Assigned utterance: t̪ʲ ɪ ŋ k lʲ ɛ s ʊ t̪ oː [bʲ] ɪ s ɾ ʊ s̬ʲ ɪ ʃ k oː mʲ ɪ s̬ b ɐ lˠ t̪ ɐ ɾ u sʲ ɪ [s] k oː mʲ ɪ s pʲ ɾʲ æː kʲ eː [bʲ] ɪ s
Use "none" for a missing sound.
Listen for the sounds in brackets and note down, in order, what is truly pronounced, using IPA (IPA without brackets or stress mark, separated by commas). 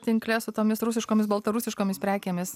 mʲ, ʃ, mʲ